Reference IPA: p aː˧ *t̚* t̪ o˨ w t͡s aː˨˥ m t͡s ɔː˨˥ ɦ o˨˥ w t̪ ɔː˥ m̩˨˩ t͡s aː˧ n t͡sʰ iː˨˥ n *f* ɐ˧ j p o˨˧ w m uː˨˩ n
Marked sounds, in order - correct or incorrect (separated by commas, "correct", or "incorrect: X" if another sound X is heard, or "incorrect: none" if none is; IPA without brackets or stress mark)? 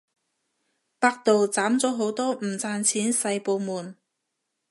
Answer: incorrect: k̚, incorrect: s